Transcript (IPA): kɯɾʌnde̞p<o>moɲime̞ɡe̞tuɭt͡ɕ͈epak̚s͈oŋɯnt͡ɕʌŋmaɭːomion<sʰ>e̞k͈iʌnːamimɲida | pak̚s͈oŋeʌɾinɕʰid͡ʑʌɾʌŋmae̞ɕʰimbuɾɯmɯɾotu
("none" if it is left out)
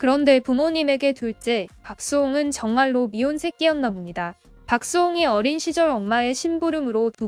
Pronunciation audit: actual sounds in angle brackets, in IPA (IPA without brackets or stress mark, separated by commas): u, sʰ